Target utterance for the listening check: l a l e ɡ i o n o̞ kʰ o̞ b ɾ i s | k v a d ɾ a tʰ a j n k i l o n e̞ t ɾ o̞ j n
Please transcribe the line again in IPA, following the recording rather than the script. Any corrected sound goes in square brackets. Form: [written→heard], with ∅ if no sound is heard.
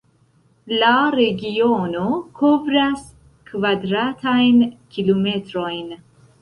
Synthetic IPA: l a [l→ɾ] e ɡ i o n o̞ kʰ o̞ [b→v] ɾ [i→a] s | k v a d ɾ a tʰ a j n k i l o [n→m] e̞ t ɾ o̞ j n